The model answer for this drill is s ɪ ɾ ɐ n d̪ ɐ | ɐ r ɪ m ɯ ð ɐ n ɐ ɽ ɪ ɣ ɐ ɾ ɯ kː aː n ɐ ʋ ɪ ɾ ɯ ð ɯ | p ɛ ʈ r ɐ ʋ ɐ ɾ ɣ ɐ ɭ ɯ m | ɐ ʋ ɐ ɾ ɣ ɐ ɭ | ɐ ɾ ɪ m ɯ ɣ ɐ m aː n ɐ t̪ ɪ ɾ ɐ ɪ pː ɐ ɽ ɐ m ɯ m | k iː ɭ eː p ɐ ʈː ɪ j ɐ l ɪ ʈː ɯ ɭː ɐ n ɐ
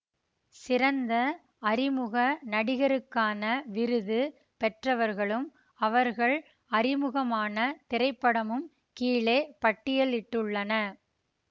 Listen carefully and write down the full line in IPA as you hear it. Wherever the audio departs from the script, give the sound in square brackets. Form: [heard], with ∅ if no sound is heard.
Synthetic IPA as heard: s ɪ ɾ ɐ n d̪ ɐ | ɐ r ɪ m ɯ [ɣ] ɐ n ɐ ɽ ɪ ɣ ɐ ɾ ɯ kː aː n ɐ ʋ ɪ ɾ ɯ ð ɯ | p ɛ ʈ r ɐ ʋ ɐ ɾ ɣ ɐ ɭ ɯ m | ɐ ʋ ɐ ɾ ɣ ɐ ɭ | ɐ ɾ ɪ m ɯ ɣ ɐ m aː n ɐ t̪ ɪ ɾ ɐ ɪ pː ɐ ɽ ɐ m ɯ m | k iː ɭ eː p ɐ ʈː ɪ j ɐ l ɪ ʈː ɯ ɭː ɐ n ɐ